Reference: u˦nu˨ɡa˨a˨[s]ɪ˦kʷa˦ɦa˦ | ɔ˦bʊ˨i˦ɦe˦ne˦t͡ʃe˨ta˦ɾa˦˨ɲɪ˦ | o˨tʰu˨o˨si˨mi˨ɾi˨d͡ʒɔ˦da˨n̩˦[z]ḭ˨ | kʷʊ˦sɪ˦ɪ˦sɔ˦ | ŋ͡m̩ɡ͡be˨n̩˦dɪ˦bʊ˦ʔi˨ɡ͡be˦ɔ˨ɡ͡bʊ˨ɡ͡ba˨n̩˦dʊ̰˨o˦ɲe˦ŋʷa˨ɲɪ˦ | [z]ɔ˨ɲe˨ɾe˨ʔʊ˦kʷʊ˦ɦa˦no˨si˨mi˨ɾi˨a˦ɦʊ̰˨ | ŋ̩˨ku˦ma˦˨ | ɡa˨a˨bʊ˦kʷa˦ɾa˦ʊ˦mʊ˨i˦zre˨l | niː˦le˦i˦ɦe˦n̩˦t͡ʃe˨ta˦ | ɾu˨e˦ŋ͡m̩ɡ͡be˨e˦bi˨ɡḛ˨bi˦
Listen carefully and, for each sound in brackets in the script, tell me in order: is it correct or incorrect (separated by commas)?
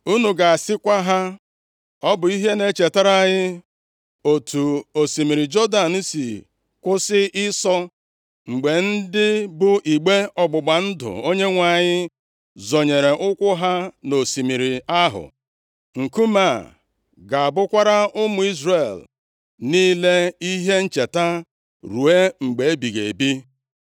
correct, incorrect, correct